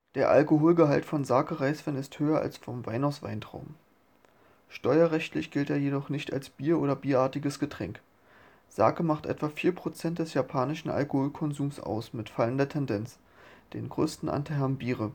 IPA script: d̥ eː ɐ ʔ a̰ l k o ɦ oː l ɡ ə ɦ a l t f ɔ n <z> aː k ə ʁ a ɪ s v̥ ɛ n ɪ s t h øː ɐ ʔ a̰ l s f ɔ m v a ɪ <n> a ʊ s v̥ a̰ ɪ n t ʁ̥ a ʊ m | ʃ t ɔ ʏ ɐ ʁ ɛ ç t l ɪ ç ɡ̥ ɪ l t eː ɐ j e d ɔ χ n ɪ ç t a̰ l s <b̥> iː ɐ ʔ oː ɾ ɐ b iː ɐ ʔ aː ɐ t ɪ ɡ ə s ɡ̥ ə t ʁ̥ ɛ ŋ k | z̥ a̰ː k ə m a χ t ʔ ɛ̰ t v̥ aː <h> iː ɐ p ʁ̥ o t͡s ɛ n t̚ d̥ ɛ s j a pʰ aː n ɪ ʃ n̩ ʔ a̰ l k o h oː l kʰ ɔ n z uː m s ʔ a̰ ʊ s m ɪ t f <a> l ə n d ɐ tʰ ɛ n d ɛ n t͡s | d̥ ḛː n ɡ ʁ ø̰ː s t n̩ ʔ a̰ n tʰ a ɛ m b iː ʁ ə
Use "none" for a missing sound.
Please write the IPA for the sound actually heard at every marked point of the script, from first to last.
z, n, b̥, f, a

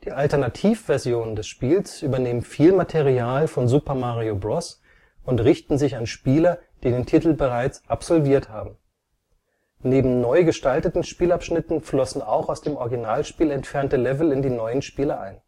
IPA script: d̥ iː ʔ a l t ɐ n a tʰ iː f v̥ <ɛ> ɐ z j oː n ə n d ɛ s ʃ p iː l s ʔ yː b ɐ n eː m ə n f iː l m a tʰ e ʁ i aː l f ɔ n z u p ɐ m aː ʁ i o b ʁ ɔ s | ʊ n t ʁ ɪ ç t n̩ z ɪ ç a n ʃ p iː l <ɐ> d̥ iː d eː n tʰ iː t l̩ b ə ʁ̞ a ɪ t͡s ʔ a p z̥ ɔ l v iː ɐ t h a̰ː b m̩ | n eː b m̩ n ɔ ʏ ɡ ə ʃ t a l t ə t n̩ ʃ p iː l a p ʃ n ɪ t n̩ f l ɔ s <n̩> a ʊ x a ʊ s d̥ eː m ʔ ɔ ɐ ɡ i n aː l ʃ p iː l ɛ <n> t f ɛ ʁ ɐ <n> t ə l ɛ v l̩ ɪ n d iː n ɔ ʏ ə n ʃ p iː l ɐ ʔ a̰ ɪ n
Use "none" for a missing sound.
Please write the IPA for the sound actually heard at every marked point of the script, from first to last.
ɛ, ɐ, n̩, n, n

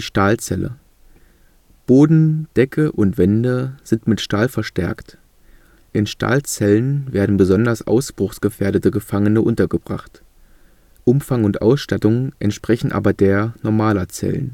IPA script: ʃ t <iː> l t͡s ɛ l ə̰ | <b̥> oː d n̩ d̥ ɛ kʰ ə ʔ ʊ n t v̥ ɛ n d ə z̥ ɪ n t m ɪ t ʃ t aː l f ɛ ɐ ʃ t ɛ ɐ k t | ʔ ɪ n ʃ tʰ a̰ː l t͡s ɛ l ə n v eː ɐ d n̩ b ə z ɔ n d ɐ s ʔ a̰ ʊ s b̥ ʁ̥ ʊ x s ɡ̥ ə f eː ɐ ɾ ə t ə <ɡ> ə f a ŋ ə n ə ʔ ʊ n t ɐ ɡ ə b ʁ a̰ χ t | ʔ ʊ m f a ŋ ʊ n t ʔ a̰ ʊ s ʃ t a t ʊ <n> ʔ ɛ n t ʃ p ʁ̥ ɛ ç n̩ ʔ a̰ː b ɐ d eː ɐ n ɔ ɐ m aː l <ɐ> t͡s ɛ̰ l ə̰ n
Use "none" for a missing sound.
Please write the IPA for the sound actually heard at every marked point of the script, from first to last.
aː, b̥, ɡ, ŋ, ɐ

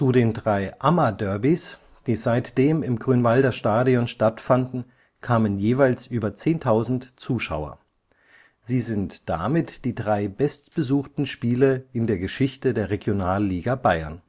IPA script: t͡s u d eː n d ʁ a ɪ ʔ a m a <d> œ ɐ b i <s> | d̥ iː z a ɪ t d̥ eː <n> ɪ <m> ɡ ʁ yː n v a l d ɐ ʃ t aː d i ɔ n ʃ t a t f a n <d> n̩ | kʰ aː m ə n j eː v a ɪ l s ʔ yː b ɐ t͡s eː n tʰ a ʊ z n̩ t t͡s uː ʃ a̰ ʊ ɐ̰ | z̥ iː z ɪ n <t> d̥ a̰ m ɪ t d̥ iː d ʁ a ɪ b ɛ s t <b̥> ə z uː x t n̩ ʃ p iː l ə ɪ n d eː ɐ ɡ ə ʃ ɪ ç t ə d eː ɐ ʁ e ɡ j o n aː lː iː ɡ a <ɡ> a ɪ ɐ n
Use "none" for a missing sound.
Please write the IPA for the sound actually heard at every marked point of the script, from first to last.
d, s, m, m, d, t, b̥, b

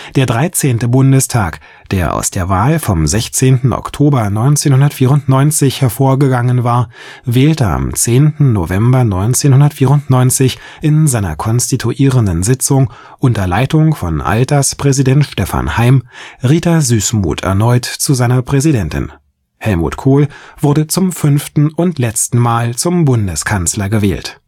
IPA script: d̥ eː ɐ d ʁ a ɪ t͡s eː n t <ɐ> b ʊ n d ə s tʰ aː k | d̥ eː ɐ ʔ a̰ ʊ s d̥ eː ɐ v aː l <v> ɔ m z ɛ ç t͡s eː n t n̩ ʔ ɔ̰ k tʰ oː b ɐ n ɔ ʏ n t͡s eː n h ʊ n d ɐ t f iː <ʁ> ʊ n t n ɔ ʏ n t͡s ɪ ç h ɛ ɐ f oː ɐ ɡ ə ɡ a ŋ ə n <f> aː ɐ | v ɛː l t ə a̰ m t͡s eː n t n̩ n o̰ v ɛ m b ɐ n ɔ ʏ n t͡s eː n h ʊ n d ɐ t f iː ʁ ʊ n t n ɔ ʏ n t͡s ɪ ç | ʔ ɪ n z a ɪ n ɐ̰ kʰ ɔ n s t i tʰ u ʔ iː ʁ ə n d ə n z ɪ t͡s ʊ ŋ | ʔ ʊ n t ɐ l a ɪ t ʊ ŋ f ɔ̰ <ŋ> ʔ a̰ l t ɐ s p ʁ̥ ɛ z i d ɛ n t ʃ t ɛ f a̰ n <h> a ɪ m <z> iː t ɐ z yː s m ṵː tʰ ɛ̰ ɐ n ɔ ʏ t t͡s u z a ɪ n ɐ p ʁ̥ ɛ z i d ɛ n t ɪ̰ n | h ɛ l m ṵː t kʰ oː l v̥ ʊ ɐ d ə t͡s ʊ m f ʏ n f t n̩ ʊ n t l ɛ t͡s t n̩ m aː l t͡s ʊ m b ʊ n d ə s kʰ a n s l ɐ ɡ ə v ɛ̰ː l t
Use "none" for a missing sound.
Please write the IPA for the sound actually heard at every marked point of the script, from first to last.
ə, f, ʁ, v, n, h, ʁ

